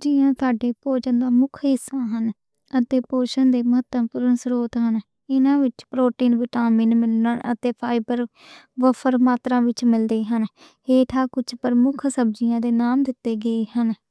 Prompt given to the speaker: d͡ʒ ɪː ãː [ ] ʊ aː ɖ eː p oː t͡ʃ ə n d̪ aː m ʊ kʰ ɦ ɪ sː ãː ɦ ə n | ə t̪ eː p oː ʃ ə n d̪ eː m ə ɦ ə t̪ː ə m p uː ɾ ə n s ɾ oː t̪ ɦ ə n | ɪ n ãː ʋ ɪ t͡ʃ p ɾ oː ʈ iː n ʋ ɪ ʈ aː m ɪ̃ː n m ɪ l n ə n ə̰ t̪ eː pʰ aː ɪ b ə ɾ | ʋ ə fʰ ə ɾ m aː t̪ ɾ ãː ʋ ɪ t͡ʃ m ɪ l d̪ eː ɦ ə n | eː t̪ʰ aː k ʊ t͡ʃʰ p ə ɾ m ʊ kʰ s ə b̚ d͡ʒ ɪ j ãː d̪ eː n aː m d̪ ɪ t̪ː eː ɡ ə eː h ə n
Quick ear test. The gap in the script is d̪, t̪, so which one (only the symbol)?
t̪